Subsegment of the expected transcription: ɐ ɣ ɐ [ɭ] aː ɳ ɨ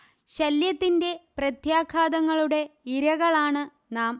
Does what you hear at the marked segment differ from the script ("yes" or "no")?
no